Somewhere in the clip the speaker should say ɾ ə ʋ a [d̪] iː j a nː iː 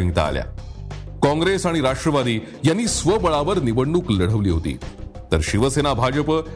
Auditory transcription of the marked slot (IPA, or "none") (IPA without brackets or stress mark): d̪